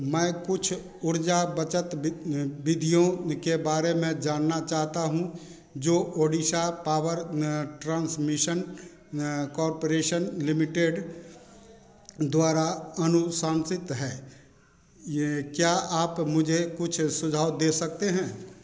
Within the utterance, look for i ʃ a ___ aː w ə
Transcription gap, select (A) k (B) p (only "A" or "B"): B